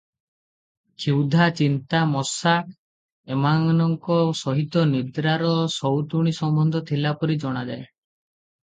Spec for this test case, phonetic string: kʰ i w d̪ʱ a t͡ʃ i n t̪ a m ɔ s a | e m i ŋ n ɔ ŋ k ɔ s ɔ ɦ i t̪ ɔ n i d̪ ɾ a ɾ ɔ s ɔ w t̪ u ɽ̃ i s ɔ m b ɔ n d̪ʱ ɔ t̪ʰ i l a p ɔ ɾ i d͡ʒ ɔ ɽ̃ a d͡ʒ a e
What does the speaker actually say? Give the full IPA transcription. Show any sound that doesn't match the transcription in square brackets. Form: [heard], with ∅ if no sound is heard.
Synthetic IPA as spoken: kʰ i w d̪ʱ a t͡ʃ i n t̪ a m ɔ s a | e m [a] ŋ n ɔ ŋ k ɔ s ɔ ɦ i t̪ ɔ n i d̪ ɾ a ɾ ɔ s ɔ w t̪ u ɽ̃ i s ɔ m b ɔ n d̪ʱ ɔ t̪ʰ i l a p ɔ ɾ i d͡ʒ ɔ ɽ̃ a d͡ʒ a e